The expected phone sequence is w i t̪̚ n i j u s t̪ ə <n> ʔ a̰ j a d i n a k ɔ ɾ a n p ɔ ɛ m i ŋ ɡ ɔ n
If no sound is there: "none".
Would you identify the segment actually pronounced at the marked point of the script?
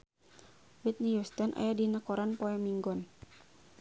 n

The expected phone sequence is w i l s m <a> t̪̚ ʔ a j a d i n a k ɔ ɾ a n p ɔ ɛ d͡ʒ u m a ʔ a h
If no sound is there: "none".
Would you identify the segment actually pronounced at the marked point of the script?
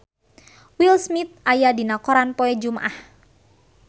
i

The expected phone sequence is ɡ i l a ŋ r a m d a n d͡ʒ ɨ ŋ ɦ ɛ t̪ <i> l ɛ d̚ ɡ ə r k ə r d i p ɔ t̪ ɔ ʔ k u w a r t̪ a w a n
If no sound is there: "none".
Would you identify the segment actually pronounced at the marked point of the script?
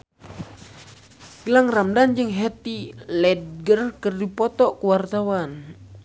i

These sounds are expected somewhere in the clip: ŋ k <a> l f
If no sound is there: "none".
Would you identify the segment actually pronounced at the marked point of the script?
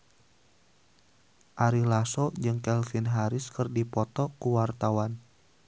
ɛ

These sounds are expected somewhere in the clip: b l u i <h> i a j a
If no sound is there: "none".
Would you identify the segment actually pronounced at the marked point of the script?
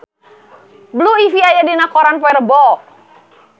f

